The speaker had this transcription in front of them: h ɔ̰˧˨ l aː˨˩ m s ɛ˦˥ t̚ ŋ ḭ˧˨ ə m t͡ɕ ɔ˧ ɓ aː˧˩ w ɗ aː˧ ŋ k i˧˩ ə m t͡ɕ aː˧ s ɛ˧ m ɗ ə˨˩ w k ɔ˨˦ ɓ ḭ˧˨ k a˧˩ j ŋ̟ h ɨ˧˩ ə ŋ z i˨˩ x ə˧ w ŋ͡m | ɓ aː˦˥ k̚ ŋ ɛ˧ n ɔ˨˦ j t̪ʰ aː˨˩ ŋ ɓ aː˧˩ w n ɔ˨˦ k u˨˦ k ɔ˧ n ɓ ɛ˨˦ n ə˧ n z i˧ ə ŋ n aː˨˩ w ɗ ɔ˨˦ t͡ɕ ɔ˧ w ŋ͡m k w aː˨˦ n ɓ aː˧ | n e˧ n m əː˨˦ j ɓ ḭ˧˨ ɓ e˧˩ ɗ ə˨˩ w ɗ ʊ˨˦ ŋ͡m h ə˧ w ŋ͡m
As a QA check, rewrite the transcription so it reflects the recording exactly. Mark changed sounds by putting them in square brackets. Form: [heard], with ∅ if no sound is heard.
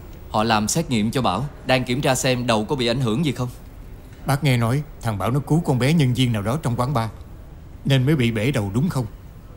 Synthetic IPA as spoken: h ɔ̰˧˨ l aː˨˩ m s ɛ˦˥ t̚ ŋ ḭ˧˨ ə m t͡ɕ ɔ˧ ɓ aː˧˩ w ɗ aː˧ ŋ k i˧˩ ə m t͡ɕ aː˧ s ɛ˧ m ɗ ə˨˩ w k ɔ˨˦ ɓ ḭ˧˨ [ʔ] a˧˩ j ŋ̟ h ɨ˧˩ ə ŋ z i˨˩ x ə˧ w ŋ͡m | ɓ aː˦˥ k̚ ŋ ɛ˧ n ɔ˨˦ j t̪ʰ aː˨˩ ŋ ɓ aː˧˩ w n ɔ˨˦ k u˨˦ k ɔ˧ n ɓ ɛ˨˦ [ɲ] ə˧ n z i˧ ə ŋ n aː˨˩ w ɗ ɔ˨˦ t͡ɕ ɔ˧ w ŋ͡m k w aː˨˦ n ɓ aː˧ | n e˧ n m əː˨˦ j ɓ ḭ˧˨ ɓ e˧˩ ɗ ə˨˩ w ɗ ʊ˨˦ ŋ͡m [x] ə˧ w ŋ͡m

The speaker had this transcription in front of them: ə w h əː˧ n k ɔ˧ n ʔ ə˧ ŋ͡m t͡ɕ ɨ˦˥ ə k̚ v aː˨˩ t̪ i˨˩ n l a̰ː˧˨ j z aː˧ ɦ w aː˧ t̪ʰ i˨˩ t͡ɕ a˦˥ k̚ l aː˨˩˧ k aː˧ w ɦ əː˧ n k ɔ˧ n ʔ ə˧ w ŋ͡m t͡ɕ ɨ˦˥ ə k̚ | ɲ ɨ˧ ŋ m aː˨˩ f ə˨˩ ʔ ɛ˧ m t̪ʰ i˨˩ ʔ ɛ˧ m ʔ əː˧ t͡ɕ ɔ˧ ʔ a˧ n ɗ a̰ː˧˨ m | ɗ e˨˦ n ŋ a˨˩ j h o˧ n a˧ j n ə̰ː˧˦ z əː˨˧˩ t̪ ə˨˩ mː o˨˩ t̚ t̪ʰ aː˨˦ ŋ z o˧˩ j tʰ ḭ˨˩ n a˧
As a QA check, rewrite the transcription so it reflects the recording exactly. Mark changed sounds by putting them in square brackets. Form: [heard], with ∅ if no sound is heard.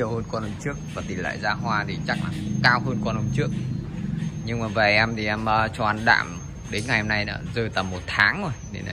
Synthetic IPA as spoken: ə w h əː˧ n k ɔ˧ n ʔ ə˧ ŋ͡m t͡ɕ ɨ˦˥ ə k̚ v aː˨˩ t̪ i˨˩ n l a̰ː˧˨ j z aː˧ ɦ w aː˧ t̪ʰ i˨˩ t͡ɕ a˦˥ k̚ l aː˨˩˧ k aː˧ w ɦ əː˧ n k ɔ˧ n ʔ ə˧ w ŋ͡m t͡ɕ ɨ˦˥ ə k̚ | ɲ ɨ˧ ŋ m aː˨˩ [v] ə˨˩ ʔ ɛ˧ m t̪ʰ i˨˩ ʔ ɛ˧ m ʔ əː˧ t͡ɕ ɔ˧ ʔ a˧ n ɗ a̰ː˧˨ m | ɗ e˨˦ n ŋ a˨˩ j h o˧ n a˧ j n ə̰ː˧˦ z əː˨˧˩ t̪ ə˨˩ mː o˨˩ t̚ t̪ʰ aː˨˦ ŋ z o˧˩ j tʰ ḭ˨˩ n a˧

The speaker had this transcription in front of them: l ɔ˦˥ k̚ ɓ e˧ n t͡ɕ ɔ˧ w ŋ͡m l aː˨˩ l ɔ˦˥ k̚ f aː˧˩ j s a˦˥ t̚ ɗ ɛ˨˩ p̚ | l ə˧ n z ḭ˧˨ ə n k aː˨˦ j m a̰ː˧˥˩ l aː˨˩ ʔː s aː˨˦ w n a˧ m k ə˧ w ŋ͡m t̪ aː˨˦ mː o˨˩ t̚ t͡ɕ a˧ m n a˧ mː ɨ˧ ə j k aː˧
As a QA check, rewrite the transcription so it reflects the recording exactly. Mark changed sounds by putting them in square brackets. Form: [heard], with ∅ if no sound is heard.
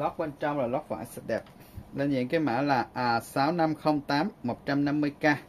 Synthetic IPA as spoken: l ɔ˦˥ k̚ ɓ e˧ n t͡ɕ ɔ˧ w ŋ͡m l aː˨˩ l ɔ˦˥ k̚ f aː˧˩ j s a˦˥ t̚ ɗ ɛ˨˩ p̚ | l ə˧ n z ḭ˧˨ ə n k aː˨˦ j m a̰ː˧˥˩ l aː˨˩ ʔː s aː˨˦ w n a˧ m [x] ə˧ w ŋ͡m t̪ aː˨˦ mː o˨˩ t̚ t͡ɕ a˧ m n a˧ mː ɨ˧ ə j k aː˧

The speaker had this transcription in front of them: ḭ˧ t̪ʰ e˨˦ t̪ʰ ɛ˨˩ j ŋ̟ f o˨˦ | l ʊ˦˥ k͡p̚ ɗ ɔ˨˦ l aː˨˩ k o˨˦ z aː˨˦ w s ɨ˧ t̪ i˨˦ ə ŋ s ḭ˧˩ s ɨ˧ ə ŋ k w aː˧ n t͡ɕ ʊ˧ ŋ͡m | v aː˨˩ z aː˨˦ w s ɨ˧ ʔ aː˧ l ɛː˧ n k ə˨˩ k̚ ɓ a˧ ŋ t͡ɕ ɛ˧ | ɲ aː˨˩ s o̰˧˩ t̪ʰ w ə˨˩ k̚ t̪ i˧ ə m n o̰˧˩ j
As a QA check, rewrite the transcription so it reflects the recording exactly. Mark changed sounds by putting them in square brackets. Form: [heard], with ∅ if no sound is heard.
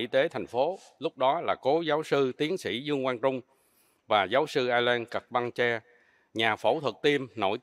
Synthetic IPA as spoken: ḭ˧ [t̪] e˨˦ t̪ʰ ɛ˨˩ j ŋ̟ f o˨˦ | l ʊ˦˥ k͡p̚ ɗ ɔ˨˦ l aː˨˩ k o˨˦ z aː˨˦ w s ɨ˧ t̪ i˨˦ ə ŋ s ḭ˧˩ [z] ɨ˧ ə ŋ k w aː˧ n t͡ɕ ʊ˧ ŋ͡m | v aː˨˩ z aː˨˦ w s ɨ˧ ʔ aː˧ l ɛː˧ n k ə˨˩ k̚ ɓ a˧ ŋ t͡ɕ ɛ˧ | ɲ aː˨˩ [f] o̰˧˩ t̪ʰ w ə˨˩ k̚ t̪ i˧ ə m n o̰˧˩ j

